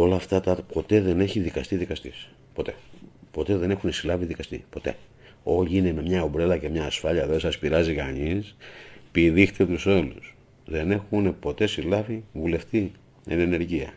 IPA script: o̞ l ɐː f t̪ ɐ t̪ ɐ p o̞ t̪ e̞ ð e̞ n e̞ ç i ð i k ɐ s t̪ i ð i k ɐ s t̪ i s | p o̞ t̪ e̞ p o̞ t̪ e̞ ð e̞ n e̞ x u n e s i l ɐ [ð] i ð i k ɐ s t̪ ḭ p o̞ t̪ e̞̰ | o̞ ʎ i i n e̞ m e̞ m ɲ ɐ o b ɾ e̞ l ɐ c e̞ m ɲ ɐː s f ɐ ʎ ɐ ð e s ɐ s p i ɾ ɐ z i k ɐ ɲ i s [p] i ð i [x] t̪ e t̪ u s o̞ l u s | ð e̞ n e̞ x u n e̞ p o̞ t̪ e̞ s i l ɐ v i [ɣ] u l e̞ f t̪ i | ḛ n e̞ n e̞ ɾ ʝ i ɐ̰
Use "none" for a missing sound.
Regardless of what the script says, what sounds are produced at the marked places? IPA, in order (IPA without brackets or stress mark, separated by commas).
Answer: v, p, x, v